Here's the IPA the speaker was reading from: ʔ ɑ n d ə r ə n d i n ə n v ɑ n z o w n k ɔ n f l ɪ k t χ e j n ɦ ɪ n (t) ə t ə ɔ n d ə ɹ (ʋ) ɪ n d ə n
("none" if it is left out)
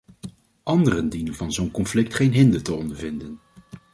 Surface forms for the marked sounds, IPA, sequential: d, v

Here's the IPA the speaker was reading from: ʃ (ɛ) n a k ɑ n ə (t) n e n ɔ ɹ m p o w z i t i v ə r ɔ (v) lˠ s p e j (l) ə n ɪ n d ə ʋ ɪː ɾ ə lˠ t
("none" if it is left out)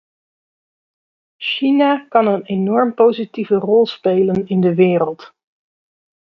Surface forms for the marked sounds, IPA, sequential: i, none, none, l

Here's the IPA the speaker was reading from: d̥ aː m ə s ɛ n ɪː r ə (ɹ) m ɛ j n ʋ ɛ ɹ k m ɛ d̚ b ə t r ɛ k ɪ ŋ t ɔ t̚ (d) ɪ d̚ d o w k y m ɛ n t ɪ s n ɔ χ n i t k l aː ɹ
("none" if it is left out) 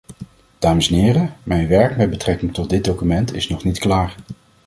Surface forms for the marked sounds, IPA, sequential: none, d

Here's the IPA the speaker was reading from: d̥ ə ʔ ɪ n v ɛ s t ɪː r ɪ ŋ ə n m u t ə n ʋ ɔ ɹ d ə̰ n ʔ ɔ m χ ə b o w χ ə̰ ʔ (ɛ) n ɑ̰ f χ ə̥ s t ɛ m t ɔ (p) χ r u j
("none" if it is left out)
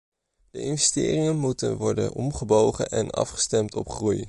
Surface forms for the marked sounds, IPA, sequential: ɛ, p

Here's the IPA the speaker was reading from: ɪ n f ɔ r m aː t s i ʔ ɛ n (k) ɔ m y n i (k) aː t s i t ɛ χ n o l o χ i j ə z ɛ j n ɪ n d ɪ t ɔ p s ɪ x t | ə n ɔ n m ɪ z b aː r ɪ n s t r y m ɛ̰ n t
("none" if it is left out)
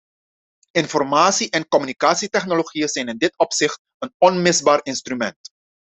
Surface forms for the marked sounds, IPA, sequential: k, k

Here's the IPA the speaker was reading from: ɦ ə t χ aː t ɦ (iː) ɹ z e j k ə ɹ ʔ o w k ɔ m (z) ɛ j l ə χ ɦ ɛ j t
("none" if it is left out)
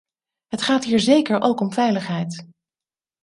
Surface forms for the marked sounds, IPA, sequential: iː, v

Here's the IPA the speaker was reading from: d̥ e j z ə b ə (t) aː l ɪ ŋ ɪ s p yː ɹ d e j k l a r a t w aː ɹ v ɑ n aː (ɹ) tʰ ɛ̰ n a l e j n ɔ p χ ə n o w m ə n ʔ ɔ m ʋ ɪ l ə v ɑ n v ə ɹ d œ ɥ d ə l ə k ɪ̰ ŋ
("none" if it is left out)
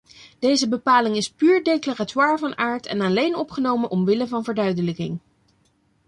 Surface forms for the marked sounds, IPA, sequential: p, ɹ

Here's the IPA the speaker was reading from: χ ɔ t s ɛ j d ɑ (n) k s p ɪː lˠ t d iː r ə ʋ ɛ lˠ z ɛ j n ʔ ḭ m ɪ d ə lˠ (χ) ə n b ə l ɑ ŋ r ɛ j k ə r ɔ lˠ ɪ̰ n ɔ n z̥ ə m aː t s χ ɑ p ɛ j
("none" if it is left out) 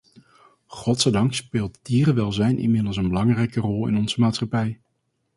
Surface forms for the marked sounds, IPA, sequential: ŋ, s

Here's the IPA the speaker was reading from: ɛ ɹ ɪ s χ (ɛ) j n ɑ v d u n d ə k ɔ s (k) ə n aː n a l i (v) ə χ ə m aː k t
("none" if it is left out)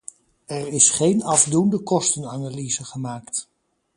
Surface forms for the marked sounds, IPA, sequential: e, t, z

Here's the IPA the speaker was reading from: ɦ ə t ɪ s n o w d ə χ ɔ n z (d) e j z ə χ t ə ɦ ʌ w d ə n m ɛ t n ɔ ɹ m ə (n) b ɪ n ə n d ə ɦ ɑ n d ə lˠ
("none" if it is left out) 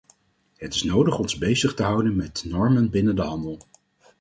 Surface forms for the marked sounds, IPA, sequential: b, n

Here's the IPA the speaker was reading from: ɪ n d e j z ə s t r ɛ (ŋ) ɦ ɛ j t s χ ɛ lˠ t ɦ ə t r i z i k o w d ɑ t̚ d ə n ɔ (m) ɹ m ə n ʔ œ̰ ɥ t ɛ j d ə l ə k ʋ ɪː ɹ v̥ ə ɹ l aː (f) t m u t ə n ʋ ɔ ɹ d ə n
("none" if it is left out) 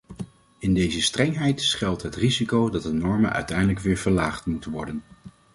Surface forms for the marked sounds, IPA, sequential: ŋ, none, χ

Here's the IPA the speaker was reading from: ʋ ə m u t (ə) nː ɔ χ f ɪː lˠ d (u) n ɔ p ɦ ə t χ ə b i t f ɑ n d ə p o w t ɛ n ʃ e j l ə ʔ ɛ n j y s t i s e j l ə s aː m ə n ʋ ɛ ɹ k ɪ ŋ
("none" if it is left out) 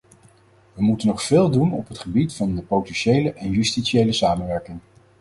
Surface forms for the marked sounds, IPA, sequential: ə, u

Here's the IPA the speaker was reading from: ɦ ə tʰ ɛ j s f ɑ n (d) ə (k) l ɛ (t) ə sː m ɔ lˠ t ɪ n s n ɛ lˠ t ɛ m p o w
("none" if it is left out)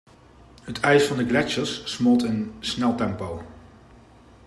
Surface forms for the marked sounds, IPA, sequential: d, ɡ, t͡ʃ

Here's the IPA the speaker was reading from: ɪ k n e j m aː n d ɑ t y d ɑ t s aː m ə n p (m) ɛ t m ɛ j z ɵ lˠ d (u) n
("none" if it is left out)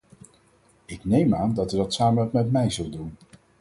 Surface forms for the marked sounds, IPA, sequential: m, u

